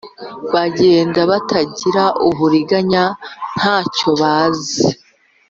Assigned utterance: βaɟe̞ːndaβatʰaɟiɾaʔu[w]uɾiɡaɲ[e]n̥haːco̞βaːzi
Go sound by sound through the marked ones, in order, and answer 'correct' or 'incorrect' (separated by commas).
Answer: incorrect, incorrect